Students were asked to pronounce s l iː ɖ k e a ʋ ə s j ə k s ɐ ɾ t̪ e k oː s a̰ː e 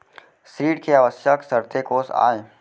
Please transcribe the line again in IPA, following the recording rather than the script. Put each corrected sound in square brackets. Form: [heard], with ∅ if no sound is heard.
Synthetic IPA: s [ɾ] iː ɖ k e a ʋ ə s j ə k s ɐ ɾ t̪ e k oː s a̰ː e